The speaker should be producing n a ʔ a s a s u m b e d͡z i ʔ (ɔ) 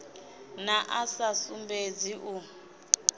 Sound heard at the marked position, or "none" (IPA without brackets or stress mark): u